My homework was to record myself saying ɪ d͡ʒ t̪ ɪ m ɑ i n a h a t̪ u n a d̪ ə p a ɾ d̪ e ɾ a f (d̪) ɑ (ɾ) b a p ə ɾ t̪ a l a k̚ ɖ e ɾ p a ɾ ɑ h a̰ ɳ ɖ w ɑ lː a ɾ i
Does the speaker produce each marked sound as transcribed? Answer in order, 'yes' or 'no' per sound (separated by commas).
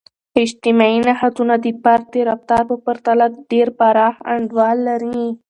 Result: no, yes